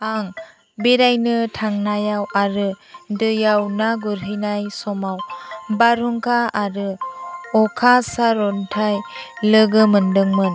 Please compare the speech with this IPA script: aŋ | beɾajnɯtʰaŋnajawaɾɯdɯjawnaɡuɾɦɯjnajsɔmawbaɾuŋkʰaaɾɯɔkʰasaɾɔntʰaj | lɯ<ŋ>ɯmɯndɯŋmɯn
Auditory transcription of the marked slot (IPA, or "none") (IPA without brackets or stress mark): ɡ